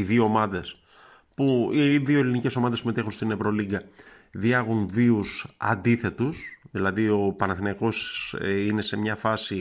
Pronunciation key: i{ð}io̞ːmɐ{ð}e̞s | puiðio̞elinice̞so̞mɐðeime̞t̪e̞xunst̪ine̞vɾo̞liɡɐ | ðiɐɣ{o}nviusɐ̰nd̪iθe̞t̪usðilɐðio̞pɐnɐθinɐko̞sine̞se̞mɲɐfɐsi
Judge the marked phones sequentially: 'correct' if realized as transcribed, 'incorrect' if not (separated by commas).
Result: correct, correct, incorrect